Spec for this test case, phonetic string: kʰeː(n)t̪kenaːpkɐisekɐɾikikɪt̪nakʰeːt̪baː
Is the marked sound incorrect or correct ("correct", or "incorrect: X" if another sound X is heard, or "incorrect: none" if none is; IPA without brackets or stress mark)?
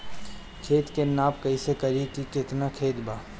incorrect: none